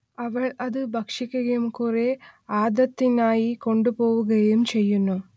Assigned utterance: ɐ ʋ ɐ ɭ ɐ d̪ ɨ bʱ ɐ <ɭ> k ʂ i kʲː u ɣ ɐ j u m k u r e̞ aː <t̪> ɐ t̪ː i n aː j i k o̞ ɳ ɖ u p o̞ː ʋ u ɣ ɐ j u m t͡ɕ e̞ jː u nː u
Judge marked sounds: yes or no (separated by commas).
no, no